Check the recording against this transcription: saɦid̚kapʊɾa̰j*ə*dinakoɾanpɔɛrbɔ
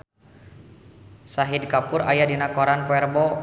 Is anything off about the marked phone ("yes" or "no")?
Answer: yes